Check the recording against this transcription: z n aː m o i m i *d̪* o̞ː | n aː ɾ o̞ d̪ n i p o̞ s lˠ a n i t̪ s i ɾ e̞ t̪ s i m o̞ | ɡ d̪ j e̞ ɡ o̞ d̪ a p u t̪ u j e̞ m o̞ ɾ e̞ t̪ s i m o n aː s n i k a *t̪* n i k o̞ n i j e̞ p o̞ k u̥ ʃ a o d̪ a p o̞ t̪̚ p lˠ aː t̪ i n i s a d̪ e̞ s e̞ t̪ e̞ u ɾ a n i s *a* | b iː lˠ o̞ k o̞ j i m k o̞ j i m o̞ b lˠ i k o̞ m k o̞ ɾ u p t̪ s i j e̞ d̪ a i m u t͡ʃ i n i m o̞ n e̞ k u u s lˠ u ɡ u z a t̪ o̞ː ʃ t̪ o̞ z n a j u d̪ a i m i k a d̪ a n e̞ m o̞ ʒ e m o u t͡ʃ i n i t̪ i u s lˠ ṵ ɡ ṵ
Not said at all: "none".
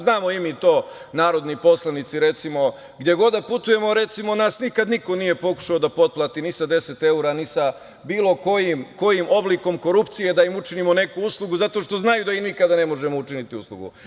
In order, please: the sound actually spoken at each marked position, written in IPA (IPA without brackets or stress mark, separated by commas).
t̪, d̪, a